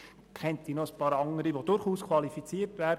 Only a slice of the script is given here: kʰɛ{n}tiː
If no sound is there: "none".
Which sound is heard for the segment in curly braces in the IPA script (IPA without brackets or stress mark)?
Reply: n